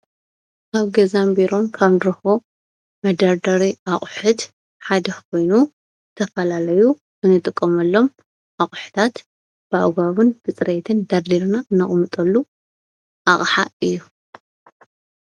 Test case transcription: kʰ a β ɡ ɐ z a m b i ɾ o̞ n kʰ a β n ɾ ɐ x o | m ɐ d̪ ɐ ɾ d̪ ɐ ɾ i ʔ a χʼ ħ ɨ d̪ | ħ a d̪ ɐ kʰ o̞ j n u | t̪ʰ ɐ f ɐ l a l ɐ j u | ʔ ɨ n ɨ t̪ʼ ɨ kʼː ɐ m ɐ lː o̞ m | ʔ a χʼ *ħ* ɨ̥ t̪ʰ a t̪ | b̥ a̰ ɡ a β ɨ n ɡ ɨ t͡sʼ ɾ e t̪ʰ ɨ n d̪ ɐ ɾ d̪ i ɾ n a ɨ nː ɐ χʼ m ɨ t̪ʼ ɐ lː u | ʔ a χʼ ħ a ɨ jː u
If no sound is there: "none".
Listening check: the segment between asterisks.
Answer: ħ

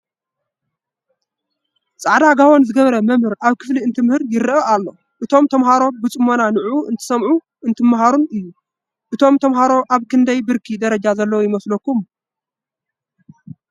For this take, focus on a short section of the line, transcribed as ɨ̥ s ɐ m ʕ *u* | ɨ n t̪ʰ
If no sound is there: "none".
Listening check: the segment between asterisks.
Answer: u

